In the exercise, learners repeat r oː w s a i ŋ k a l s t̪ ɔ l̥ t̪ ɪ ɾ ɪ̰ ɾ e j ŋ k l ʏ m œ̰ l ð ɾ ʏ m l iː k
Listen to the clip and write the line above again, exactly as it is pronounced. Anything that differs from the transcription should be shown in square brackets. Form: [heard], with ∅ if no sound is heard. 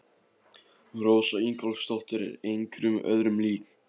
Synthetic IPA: r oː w s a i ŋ k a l s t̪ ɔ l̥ t̪ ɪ ɾ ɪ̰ ɾ e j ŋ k [ɾ] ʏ m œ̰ [∅] ð ɾ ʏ m l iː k